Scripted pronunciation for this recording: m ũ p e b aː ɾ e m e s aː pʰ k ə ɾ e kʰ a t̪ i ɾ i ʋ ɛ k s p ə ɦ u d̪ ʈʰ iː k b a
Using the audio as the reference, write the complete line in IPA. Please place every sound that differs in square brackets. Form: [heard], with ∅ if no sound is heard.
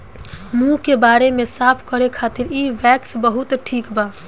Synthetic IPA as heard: m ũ [k] e b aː ɾ e m e s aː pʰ k ə ɾ e kʰ a t̪ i ɾ i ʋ ɛ k s [b] ə ɦ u [t̪] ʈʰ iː k b a